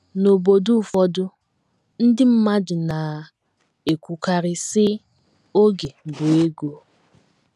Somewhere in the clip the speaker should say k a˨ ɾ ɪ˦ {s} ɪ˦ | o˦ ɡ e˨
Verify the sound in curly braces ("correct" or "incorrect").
correct